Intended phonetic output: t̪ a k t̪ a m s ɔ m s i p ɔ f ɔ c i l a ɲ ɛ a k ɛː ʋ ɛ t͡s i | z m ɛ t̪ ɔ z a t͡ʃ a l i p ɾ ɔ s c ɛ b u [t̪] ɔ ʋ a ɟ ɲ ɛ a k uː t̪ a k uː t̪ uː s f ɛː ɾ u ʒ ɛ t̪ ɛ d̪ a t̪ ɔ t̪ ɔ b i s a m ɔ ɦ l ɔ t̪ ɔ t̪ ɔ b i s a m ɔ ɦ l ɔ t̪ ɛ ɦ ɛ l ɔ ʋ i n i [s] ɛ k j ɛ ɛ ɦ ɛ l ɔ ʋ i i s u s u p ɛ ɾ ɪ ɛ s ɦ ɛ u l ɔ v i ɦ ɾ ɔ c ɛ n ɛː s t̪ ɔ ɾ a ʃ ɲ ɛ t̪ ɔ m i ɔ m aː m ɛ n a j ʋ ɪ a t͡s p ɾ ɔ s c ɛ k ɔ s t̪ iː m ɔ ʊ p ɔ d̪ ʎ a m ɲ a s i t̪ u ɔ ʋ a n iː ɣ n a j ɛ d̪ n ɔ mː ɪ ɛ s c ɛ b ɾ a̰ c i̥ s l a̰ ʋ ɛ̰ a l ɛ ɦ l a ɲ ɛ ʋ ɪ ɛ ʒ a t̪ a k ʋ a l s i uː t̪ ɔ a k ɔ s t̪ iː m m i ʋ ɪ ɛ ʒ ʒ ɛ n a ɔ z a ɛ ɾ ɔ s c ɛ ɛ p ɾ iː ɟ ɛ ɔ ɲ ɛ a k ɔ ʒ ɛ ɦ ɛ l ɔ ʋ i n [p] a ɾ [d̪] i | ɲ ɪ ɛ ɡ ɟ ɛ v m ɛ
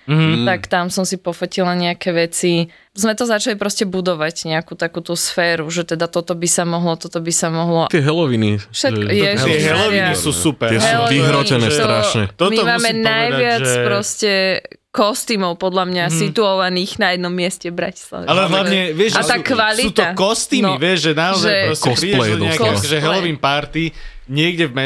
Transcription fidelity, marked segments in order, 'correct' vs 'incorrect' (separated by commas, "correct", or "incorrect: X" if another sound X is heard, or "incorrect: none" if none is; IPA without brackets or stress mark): incorrect: d̪, incorrect: ʃ, correct, incorrect: t̪